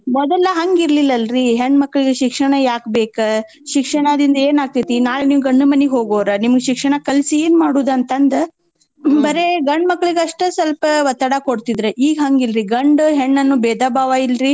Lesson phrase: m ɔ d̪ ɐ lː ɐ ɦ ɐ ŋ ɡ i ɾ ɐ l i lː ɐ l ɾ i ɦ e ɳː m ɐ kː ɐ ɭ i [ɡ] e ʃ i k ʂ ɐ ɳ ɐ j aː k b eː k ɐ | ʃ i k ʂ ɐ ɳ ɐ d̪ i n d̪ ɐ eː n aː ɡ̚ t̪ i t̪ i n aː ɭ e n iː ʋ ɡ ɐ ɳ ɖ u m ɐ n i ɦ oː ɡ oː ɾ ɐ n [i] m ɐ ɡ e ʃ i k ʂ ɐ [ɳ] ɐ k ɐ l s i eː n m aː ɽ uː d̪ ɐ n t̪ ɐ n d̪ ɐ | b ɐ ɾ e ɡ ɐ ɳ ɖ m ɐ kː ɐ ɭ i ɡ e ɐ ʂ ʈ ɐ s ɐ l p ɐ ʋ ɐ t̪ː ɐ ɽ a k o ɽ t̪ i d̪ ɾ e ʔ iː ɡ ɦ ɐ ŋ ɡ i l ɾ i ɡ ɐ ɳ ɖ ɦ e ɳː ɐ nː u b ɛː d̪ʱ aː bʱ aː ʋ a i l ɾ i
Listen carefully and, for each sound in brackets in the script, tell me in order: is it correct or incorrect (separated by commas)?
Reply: correct, correct, correct